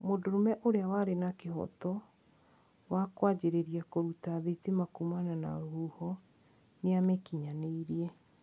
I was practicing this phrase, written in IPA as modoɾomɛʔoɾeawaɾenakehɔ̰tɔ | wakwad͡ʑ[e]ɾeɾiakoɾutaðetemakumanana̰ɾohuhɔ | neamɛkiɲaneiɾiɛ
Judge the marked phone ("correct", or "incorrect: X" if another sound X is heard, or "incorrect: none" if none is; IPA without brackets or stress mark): correct